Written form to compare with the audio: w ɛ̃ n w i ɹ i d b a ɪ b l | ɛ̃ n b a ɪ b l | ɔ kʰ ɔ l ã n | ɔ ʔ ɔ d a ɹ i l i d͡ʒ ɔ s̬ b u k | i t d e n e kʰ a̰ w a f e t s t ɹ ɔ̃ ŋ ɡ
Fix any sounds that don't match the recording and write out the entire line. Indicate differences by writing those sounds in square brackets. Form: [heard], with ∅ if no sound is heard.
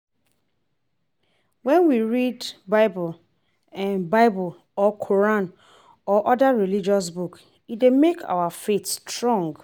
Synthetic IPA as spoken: w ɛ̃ n w i ɹ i d b a ɪ b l | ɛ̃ n b a ɪ b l | ɔ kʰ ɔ [ɹ] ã n | ɔ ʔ ɔ d a ɹ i l i d͡ʒ ɔ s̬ b u k | i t d e [m] e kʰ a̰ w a f e t s t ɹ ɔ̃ ŋ ɡ